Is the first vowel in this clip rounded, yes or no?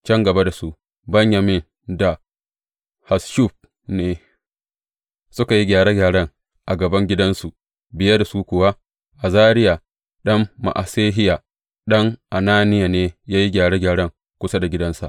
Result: no